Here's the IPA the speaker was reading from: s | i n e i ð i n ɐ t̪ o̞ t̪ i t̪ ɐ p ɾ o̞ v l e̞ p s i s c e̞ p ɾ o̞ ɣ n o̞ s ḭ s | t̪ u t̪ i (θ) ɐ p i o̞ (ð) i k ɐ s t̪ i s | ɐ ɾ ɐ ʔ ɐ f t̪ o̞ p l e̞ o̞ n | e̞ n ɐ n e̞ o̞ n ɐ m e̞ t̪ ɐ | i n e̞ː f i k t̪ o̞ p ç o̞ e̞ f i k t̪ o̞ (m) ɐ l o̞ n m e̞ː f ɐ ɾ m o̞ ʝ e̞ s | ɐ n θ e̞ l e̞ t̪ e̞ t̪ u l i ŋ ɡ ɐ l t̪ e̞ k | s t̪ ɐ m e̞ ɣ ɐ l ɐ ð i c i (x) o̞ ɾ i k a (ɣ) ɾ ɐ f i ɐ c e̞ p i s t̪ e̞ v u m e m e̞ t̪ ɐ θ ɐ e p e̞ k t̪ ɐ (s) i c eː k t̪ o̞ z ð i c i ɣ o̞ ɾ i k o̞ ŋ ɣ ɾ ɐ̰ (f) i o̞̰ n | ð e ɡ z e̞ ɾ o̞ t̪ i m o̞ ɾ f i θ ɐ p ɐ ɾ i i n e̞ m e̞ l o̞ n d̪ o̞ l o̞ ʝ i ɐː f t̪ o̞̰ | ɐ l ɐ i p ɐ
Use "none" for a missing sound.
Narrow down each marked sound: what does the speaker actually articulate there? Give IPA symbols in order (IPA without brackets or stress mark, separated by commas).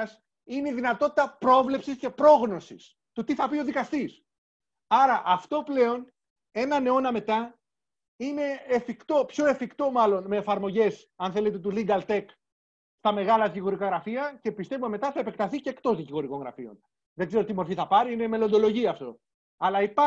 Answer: θ, ð, m, ɣ, ɣ, θ, f